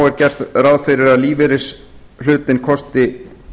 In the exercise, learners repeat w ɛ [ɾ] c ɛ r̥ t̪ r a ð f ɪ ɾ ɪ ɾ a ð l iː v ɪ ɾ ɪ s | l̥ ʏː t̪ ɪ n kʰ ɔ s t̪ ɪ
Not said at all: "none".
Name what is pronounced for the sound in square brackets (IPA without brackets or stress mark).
ɾ